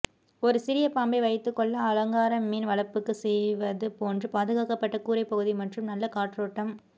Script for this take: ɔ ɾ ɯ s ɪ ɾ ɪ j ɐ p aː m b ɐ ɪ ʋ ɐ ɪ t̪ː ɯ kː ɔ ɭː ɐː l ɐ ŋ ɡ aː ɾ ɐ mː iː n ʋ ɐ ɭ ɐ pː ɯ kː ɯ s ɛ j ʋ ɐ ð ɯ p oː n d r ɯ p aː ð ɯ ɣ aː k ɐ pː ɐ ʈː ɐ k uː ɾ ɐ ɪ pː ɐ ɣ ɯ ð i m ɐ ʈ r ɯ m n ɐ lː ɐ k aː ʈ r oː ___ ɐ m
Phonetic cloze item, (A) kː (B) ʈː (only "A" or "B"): B